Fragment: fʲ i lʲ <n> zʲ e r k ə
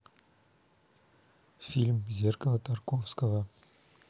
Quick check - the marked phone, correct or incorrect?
incorrect